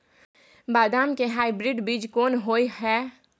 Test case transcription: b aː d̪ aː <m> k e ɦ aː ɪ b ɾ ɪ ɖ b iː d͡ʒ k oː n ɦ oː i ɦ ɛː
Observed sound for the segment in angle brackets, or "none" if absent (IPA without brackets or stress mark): m